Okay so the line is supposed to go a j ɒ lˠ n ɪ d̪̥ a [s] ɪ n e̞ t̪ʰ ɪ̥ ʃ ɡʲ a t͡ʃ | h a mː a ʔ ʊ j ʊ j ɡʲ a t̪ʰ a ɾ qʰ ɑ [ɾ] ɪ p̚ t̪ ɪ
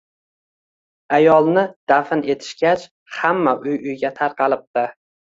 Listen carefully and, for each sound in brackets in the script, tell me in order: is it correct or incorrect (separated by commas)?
incorrect, incorrect